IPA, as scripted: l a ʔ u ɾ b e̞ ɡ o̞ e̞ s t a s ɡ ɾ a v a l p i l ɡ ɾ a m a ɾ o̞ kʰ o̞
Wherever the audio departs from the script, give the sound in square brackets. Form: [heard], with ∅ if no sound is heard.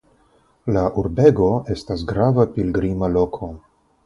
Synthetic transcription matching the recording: l a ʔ u ɾ b e̞ ɡ o̞ e̞ s t a s ɡ ɾ a v a [∅] p i l ɡ ɾ [i] m a [l] o̞ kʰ o̞